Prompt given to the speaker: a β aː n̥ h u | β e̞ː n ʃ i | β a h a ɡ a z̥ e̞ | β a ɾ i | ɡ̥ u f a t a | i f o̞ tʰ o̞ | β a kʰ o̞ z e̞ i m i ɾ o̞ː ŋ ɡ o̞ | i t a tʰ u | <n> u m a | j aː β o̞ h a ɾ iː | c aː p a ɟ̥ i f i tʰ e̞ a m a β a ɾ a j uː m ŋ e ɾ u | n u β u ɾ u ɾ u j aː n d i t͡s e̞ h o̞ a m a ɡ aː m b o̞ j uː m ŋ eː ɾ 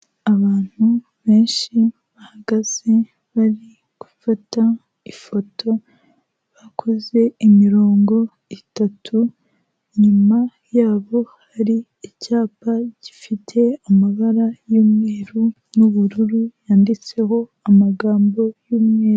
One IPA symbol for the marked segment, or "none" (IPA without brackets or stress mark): ɲ